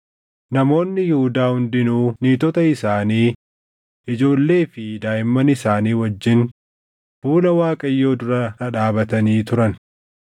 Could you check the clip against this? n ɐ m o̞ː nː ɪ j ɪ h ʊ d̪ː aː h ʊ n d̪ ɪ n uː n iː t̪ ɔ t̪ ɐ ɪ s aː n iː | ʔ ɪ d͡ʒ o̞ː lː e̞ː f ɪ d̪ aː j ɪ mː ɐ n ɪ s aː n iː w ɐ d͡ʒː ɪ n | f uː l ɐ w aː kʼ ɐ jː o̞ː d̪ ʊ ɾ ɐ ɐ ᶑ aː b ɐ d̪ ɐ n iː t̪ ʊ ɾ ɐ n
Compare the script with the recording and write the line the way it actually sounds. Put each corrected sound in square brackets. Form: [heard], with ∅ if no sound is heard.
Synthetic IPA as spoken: n ɐ m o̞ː nː ɪ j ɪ h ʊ [d̪] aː h ʊ n d̪ ɪ n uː n iː t̪ ɔ t̪ ɐ ɪ s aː n iː | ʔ ɪ d͡ʒ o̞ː lː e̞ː f ɪ d̪ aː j ɪ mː ɐ n ɪ s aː n iː w ɐ d͡ʒː ɪ n | f uː l ɐ w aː kʼ ɐ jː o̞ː d̪ ʊ ɾ ɐ ɐ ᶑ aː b ɐ [t̪] ɐ n iː t̪ ʊ ɾ ɐ n